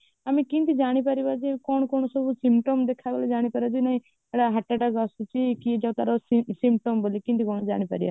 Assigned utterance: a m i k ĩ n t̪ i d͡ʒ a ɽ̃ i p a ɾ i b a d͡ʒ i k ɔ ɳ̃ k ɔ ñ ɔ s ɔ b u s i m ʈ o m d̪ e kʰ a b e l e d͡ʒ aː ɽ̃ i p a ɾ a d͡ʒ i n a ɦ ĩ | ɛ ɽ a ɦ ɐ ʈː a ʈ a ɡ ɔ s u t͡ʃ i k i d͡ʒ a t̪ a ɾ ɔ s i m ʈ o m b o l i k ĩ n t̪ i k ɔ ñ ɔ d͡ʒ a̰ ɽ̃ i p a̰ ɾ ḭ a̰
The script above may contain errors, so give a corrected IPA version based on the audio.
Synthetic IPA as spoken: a m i k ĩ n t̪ i d͡ʒ a ɽ̃ i p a ɾ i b a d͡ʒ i k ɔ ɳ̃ k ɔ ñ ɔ s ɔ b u s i m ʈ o m d̪ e kʰ a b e l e d͡ʒ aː ɽ̃ i p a ɾ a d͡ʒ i n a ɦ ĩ | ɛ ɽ a ɦ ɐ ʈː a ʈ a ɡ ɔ s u t͡ʃ i k i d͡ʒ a t̪ a ɾ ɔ s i m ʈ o m b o l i k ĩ n t̪ i k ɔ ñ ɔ d͡ʒ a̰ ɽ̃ i p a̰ ɾ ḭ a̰